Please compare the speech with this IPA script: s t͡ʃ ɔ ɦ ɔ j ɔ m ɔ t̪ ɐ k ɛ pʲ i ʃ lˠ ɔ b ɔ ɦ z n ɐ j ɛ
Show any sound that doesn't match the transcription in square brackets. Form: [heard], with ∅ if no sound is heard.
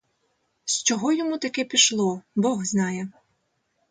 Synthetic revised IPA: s t͡ʃ ɔ ɦ ɔ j ɔ m [u] t̪ ɐ k ɛ pʲ i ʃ lˠ ɔ b ɔ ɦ z n [ɑ] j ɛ